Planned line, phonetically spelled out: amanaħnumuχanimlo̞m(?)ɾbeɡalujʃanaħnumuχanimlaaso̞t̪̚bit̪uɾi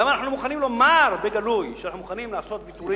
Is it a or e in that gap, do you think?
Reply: a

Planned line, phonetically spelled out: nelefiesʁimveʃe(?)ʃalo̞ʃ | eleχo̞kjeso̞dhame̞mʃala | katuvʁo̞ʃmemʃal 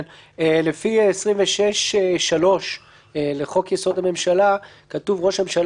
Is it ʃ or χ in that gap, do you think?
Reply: ʃ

